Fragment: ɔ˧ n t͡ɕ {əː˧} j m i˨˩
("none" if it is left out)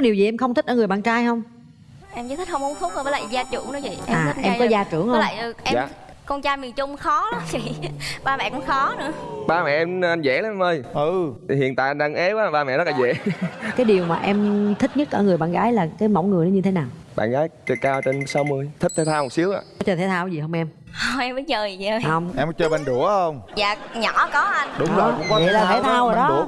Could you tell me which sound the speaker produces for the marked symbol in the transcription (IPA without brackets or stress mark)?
aː˧